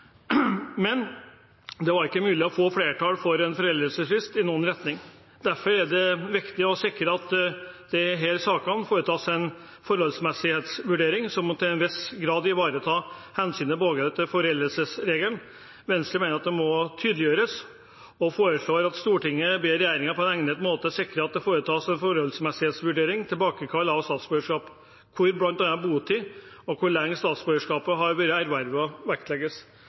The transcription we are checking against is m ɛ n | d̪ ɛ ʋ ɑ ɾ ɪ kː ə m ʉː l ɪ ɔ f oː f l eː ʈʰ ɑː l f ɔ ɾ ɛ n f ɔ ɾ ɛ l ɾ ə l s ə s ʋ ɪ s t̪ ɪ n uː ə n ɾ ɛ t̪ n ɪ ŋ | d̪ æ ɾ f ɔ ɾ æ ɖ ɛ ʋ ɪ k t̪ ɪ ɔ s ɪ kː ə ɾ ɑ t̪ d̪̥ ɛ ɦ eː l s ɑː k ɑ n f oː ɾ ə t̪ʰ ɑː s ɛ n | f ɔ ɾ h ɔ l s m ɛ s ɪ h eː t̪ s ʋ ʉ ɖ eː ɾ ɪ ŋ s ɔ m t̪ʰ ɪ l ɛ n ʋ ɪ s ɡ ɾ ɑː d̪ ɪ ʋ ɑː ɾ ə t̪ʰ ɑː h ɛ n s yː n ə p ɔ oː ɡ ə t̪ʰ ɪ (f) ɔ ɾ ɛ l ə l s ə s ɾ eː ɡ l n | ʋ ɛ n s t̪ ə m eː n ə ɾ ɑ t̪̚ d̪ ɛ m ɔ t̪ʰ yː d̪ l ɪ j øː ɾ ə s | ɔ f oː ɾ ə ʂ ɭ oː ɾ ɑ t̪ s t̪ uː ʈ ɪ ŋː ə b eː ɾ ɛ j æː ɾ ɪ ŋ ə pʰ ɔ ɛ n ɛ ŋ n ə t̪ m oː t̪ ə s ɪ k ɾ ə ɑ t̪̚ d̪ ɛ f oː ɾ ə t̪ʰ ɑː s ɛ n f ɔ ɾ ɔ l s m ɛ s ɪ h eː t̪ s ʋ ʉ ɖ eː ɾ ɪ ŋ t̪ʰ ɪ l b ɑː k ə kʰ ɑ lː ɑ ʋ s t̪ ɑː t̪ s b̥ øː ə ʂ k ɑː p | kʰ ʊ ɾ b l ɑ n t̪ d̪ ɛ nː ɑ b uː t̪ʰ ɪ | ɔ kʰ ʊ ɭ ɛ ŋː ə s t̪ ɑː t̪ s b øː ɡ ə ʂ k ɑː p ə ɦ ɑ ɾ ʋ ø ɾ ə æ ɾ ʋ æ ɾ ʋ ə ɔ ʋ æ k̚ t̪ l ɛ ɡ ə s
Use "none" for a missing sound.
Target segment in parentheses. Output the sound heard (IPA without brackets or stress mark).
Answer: f